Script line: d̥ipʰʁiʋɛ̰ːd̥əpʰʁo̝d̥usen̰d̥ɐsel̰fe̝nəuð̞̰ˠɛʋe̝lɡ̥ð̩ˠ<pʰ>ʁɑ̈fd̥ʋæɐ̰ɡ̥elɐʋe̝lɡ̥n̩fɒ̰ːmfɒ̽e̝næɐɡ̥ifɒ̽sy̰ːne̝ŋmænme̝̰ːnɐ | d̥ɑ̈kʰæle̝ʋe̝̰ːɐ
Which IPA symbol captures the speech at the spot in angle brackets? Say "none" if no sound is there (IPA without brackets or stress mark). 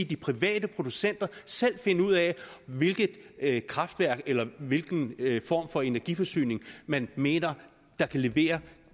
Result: kʰ